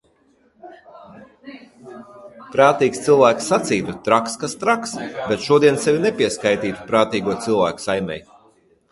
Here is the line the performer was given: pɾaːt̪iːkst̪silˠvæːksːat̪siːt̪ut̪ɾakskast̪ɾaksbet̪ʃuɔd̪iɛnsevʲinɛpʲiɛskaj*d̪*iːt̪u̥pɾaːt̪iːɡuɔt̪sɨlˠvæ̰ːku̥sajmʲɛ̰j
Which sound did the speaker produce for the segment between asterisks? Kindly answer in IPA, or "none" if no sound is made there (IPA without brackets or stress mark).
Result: t̪